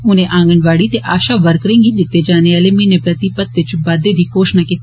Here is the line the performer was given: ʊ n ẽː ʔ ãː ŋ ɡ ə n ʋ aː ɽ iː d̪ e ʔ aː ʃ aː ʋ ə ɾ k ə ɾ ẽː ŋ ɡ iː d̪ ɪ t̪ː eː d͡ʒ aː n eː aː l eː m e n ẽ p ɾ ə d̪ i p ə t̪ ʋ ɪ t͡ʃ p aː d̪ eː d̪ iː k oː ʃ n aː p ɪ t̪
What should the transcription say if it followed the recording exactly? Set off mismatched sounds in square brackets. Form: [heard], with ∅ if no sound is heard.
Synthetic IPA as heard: ʊ n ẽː ʔ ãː ŋ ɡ ə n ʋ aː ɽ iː [t̪] e ʔ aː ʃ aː ʋ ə ɾ k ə ɾ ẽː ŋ ɡ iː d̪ ɪ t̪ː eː d͡ʒ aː n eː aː l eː m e n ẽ p ɾ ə [t̪] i p ə t̪ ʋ ɪ t͡ʃ [b] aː d̪ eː d̪ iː k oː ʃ n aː [k] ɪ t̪